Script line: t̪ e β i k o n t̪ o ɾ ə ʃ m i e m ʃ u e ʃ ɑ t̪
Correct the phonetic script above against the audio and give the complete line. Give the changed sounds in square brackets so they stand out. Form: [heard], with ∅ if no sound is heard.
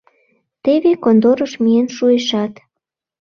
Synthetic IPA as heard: t̪ e β [e] k o n [d̪] o ɾ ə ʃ m i e [n] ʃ u e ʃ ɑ t̪